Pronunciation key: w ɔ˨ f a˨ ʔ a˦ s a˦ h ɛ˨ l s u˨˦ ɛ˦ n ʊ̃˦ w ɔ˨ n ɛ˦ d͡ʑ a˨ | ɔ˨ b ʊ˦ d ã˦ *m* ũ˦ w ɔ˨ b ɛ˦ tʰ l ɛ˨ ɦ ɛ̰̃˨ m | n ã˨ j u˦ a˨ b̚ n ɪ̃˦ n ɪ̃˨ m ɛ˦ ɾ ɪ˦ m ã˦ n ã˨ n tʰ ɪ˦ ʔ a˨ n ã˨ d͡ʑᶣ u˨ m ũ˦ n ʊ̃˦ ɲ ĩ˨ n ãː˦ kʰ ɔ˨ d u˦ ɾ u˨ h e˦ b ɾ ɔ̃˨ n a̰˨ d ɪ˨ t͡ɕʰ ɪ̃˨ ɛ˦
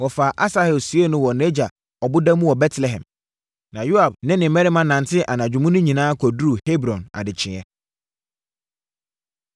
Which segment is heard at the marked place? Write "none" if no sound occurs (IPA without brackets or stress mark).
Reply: m